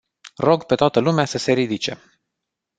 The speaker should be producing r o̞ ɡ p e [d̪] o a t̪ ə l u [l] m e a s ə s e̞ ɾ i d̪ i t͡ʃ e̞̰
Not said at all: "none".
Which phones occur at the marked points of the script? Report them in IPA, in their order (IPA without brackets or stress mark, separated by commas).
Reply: t̪, none